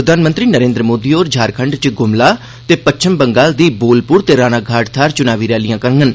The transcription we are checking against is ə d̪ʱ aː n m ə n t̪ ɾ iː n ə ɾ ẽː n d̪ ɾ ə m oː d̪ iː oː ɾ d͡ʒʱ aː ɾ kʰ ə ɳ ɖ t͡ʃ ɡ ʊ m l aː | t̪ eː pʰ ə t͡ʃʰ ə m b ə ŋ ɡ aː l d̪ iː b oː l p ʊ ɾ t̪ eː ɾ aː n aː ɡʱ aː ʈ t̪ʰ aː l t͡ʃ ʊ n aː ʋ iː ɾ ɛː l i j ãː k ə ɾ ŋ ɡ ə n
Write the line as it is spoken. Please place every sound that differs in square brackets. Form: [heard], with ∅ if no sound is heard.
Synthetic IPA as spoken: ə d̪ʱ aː n m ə n t̪ ɾ iː n ə ɾ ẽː n d̪ ɾ ə m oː d̪ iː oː ɾ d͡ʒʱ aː ɾ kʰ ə ɳ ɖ t͡ʃ ɡ ʊ m l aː | t̪ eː [p] ə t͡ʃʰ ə m b ə ŋ ɡ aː l d̪ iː b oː l p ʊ ɾ t̪ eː ɾ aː n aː ɡʱ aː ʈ t̪ʰ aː [ɾ] t͡ʃ ʊ n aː ʋ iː ɾ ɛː l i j ãː k ə ɾ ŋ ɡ ə n